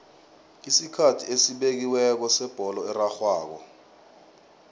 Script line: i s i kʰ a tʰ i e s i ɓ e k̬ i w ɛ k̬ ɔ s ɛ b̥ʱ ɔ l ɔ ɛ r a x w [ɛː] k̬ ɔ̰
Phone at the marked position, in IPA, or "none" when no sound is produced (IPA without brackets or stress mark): aː